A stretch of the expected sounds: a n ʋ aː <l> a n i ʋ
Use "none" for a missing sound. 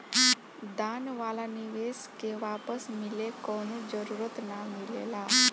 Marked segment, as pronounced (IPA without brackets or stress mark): l